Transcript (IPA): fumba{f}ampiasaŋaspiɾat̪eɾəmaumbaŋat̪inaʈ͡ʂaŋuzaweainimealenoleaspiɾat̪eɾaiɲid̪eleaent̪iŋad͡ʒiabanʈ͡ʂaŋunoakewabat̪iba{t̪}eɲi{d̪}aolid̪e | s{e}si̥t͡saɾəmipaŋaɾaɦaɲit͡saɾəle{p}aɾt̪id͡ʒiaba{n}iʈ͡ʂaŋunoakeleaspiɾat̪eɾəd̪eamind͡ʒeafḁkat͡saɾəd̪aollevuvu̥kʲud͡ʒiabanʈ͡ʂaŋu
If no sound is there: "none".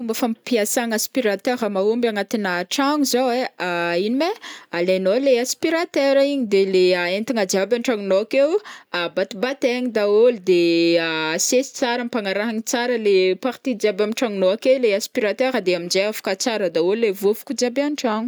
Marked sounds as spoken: f, t̪, d̪, e, p, m

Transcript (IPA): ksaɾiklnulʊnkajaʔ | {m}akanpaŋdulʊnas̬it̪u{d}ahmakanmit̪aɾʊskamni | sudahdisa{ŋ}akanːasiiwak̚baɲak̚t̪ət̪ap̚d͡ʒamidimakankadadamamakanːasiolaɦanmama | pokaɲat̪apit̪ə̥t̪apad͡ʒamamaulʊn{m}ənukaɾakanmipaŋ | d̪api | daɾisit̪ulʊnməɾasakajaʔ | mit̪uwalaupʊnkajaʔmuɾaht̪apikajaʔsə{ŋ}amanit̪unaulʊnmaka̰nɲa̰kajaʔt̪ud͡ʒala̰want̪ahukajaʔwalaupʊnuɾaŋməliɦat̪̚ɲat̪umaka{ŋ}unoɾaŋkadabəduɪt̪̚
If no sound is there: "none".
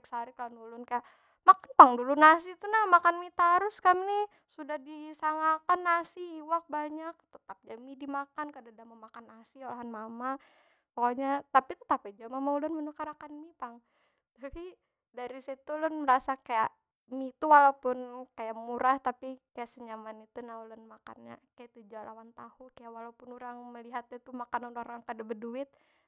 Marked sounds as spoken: m, n, ŋ, m, ɲ, n

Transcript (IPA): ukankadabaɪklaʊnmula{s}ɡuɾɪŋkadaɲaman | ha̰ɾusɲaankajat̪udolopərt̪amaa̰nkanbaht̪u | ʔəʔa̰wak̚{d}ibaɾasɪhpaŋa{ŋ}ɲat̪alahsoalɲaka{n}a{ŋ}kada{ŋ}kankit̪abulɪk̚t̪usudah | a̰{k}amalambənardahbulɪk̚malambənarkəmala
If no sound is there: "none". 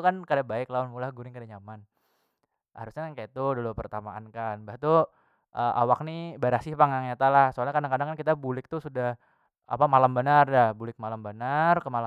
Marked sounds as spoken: h, n, ŋ, d, ŋ, ŋ, p

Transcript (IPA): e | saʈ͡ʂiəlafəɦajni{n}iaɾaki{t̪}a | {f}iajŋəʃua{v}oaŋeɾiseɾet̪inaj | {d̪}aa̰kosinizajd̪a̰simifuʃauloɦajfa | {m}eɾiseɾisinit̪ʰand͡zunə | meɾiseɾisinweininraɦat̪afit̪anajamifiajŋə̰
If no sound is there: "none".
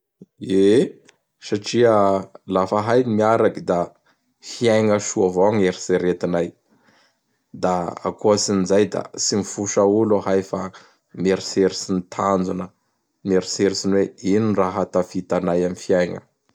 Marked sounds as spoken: m, d̪, f, v, d̪, m

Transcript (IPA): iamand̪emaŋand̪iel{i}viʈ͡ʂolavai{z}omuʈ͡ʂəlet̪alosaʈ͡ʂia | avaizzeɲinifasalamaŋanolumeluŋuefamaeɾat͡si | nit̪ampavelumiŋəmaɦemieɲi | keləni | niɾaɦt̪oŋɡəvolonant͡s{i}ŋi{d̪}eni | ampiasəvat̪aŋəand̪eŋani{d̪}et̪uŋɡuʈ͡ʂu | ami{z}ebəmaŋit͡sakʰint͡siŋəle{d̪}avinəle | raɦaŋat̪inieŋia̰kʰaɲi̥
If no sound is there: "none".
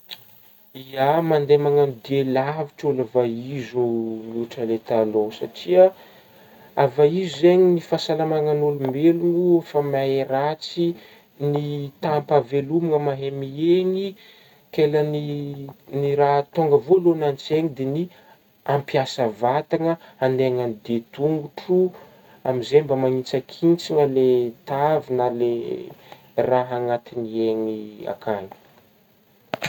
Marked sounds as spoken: a, z, e, d̪, d̪, z, t̪

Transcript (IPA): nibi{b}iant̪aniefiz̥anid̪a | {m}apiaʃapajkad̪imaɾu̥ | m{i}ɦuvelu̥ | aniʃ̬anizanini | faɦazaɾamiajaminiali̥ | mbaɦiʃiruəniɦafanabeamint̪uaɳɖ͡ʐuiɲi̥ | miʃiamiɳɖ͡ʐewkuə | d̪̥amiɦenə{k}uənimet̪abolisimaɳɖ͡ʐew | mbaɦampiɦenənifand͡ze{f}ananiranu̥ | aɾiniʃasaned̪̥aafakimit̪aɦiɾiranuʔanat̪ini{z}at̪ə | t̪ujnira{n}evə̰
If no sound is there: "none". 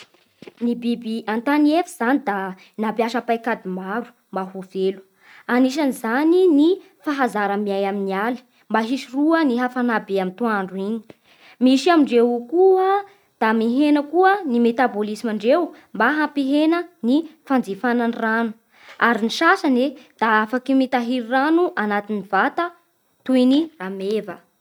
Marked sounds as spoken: b, n, a, k, f, v, m

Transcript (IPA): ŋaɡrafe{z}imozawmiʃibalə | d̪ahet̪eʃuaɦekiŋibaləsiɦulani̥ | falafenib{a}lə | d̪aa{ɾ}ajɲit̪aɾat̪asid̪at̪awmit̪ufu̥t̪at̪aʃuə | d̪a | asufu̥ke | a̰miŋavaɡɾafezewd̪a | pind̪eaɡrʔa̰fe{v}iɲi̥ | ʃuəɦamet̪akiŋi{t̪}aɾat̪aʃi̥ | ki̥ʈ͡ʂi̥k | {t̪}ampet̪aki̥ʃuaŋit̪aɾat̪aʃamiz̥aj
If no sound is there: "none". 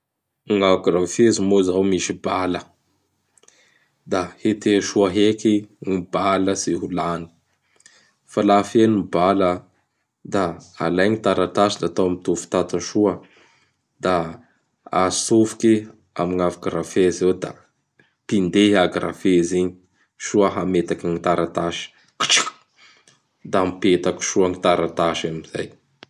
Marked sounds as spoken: z, a, l, z, t̪, d̪

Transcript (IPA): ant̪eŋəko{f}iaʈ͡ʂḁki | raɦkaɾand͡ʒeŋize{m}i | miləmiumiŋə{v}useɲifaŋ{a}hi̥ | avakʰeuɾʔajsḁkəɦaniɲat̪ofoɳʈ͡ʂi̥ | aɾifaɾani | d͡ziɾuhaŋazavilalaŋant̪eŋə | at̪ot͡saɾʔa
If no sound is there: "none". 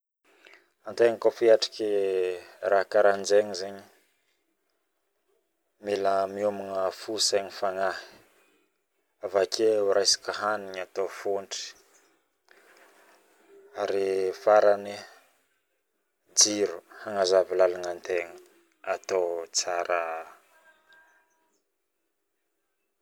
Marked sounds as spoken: f, ɲ, f, a

